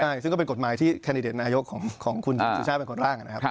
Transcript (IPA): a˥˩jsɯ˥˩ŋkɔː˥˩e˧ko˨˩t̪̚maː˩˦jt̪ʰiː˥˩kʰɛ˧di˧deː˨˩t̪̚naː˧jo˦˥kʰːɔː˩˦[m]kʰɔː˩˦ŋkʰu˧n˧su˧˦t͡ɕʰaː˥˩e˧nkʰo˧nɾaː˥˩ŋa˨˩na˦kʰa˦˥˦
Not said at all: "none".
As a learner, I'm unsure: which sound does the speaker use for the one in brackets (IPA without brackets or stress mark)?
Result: ŋ